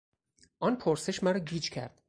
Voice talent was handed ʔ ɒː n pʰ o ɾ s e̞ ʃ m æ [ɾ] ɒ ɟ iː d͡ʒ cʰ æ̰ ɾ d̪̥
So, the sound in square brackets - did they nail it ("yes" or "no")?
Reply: yes